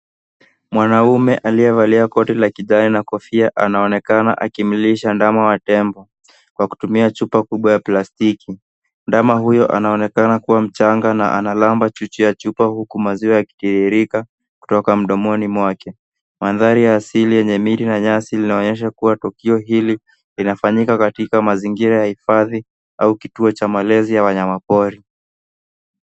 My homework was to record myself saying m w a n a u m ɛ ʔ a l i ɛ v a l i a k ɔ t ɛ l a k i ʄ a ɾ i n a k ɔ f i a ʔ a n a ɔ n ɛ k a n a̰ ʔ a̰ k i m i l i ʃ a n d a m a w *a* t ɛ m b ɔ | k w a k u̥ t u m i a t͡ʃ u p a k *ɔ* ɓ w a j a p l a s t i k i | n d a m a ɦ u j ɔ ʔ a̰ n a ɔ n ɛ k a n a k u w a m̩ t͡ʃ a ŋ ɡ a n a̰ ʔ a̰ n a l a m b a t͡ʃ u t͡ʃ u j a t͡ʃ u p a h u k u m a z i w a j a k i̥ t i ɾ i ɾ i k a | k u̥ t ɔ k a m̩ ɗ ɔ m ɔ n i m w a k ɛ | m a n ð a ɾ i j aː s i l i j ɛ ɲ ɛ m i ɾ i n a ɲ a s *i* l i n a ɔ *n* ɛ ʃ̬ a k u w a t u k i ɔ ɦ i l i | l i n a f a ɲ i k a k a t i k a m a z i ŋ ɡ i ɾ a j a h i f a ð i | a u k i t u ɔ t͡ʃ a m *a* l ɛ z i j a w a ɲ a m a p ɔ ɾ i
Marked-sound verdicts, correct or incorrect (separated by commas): correct, incorrect, correct, incorrect, correct